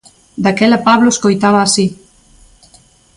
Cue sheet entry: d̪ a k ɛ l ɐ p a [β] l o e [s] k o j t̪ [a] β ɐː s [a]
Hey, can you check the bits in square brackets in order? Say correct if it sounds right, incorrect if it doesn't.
correct, correct, correct, incorrect: i

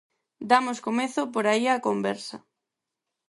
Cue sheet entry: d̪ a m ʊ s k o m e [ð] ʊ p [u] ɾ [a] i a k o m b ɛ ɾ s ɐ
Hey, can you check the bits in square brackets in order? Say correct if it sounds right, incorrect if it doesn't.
incorrect: θ, incorrect: o, correct

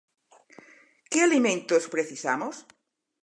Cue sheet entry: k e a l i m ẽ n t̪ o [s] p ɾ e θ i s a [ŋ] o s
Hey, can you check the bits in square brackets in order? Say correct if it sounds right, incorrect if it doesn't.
correct, incorrect: m

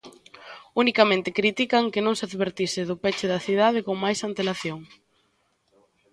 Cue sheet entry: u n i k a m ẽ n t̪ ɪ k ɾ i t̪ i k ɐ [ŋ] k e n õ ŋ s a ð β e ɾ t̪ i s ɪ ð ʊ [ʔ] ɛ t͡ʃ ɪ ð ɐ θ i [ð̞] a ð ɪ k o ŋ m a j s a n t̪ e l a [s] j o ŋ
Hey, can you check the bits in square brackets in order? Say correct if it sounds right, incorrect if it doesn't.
correct, incorrect: p, correct, incorrect: θ

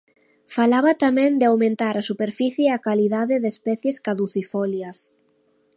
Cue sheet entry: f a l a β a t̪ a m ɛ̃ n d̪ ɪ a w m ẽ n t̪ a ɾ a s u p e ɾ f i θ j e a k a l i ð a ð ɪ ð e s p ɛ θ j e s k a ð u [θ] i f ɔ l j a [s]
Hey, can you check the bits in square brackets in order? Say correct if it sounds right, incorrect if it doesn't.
correct, correct

